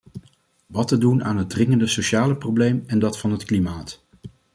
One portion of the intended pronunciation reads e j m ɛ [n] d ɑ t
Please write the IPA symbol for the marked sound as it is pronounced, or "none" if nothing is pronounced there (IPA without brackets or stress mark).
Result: n